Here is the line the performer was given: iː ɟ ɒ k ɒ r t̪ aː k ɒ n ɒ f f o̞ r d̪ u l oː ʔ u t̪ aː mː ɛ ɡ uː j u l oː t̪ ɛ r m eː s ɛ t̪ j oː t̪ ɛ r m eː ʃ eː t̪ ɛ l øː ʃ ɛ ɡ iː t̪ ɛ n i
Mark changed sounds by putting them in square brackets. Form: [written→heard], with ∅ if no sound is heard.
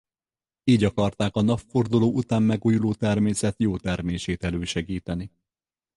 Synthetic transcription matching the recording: iː ɟ ɒ k ɒ r t̪ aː k ɒ n ɒ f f o̞ r d̪ u l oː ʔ u t̪ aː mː ɛ ɡ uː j u l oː t̪ ɛ r m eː s ɛ t̪ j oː t̪ ɛ r m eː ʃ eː t̪ ɛ l øː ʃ ɛ ɡ iː t̪ ɛ n i